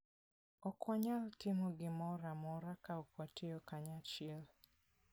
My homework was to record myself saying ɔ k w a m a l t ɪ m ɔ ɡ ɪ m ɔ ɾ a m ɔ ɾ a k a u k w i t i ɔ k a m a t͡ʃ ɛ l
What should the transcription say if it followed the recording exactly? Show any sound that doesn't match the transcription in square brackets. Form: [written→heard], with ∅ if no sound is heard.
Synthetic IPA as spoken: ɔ k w a [m→ɲ] a l t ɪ m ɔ ɡ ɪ m ɔ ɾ a m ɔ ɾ a k a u k w [i→a] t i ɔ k a [m→ɲ] a t͡ʃ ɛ l